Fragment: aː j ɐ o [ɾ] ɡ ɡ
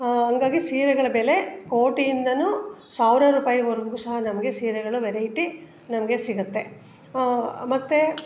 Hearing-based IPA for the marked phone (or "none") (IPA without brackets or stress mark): ɾ